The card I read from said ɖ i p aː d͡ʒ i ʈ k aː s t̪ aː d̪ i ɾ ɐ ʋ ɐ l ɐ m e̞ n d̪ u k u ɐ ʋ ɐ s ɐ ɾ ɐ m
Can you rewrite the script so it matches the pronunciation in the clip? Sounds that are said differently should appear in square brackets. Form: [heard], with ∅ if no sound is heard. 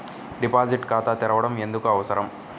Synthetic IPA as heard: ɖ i p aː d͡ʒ i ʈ k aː [∅] t̪ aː [t̪] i ɾ ɐ ʋ ɐ [ɽ] ɐ m e̞ n d̪ u k u ɐ ʋ ɐ s ɐ ɾ ɐ m